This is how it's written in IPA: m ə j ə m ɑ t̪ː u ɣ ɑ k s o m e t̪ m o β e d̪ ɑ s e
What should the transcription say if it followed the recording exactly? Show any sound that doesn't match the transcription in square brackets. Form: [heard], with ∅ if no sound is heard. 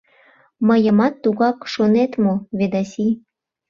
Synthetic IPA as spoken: m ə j ə m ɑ t̪ː u ɣ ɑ k [ʃ] o [n] e t̪ m o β e d̪ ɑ s [i]

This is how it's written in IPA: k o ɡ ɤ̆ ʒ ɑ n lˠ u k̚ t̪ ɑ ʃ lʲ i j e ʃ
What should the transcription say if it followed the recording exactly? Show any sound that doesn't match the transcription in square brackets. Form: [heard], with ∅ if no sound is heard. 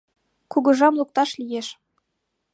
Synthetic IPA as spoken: k [u] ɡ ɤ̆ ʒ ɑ [m] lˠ u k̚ t̪ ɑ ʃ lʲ i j e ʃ

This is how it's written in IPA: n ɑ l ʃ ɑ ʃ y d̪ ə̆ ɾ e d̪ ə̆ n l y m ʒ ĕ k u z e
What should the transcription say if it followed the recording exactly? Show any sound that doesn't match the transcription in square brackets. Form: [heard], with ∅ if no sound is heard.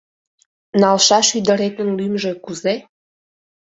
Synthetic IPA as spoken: n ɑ l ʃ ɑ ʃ y d̪ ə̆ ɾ e [t̪] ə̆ n l y m ʒ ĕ k u z e

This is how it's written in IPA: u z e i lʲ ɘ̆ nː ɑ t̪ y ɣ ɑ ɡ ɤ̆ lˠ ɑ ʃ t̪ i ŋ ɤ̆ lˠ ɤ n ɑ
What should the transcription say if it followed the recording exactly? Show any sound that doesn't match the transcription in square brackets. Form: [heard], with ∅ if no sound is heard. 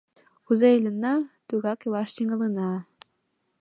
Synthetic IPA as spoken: u z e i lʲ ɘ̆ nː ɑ t̪ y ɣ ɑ [k] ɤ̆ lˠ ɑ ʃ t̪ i ŋ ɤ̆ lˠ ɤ n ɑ

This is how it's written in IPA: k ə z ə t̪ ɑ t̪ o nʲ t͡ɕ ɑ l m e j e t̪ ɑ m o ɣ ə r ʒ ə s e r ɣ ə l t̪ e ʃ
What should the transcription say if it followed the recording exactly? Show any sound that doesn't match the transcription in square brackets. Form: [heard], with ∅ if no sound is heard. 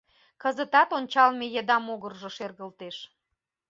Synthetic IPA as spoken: k ə z ə t̪ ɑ t̪ o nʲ t͡ɕ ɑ l m e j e [d̪] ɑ m o ɣ ə r ʒ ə [ʃ] e r ɣ ə l t̪ e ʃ

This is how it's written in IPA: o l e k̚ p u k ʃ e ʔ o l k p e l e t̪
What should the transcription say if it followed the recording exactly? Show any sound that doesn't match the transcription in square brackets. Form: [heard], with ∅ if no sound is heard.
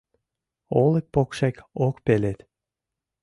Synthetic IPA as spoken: o l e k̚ p [o] k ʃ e [k] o [∅] k p e l e t̪

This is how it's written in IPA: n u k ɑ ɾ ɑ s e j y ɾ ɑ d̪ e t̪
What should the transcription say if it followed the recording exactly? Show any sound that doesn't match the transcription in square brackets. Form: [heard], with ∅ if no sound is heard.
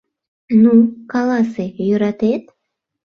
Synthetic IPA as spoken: n u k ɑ [l] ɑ s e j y ɾ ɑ [t̪] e t̪

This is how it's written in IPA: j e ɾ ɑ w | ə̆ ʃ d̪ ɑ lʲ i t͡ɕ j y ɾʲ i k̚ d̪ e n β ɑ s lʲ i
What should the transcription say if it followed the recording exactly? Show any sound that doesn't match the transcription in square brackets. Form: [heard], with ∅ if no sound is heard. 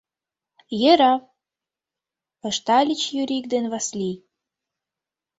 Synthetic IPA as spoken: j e ɾ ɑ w | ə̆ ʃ [t̪] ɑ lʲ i t͡ɕ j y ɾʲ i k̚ d̪ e n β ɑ s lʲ i

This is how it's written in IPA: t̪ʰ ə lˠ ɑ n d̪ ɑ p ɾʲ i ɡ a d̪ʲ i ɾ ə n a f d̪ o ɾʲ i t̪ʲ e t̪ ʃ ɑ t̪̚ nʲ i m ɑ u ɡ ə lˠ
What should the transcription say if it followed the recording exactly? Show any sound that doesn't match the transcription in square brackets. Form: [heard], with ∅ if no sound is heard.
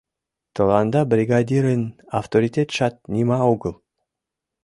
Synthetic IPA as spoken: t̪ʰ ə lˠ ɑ n d̪ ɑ [b] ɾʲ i ɡ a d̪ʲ i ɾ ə n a f [t̪] o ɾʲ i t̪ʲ e t̪ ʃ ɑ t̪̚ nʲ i m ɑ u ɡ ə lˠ

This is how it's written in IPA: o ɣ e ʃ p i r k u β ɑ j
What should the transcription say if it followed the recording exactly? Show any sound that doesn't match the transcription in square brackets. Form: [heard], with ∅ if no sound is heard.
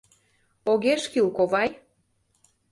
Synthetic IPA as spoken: o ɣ e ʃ [k] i [l] k [o] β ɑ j

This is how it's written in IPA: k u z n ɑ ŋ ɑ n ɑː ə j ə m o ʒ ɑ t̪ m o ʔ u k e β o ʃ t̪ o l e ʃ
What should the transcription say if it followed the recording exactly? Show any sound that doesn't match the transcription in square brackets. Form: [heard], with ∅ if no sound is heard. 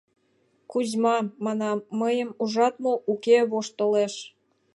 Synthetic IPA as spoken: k u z [m] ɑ [m] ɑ n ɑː ə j ə m [u] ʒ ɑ t̪ m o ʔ u k e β o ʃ t̪ o l e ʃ

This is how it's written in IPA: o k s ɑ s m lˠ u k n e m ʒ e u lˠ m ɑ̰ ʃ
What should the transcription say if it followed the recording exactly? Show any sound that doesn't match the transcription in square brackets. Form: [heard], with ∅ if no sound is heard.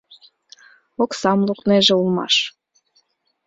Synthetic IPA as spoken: o k s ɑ [∅] m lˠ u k n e [∅] ʒ e u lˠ m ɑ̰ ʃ

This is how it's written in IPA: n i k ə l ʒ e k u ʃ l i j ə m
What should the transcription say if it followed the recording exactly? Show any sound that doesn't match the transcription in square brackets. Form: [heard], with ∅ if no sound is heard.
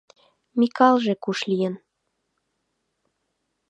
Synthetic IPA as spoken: [m] i k [ɑ] l ʒ e k u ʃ l i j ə [n]

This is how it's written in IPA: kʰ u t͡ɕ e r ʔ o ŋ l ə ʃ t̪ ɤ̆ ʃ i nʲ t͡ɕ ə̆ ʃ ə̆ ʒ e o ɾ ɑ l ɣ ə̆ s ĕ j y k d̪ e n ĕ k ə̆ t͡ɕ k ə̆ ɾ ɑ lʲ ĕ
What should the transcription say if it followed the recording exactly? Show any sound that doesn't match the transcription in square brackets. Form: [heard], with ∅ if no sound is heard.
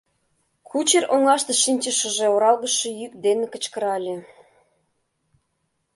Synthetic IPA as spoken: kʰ u t͡ɕ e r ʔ o ŋ l [ɑ] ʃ t̪ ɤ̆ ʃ i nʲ t͡ɕ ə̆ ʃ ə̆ ʒ e o ɾ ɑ l ɣ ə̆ [ʃ] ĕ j y k d̪ e n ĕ k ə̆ t͡ɕ k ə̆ ɾ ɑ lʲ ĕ

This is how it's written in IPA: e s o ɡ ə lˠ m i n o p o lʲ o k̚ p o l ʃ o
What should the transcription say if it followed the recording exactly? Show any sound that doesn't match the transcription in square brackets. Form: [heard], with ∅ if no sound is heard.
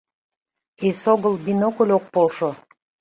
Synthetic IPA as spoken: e s o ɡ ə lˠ [b] i n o [k] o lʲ o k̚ p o l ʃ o

